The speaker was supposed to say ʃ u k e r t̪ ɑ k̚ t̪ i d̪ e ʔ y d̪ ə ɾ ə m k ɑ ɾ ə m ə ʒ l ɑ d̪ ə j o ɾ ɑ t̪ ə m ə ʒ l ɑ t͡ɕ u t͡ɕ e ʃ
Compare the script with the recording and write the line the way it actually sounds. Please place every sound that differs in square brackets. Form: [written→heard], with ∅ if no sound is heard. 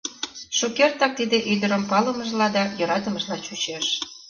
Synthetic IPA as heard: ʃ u k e r t̪ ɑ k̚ t̪ i d̪ e ʔ y d̪ ə ɾ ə m [k→p] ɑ [ɾ→l] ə m ə ʒ l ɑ d̪ [ə→ɑ] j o ɾ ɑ t̪ ə m ə ʒ l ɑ t͡ɕ u t͡ɕ e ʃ